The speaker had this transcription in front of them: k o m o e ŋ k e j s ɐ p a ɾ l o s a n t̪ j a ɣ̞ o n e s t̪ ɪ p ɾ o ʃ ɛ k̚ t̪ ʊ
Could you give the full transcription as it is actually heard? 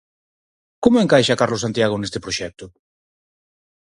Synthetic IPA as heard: k o m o e ŋ k a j ʃ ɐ k a ɾ l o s a n t̪ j a ɣ̞ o n e s t̪ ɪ p ɾ o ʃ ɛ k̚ t̪ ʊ